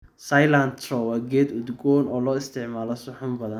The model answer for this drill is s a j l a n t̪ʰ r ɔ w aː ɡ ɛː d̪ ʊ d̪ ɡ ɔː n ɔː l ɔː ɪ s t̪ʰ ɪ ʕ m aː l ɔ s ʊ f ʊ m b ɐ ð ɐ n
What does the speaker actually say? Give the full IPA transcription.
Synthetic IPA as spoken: s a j l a n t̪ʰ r ɔ w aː ɡ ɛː d̪ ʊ d̪ ɡ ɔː n ɔː l ɔː ɪ s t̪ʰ ɪ ʕ m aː l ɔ s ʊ ħ ʊ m b ɐ ð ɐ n